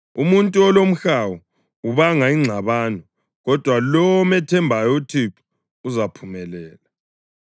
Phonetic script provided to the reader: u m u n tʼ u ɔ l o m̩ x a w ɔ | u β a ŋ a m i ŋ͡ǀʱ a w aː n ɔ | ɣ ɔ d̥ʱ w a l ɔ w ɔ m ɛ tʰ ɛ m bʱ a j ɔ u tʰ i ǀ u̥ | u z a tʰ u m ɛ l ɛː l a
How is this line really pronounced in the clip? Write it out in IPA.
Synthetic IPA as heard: u m u n tʼ u ɔ l o m̩ x a w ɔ | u β a ŋ a i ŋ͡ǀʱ a β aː n ɔ | ɣ ɔ d̥ʱ w a l ɔ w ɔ m ɛ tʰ ɛ m bʱ a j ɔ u tʰ i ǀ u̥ | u z a pʰ u m ɛ l ɛː l a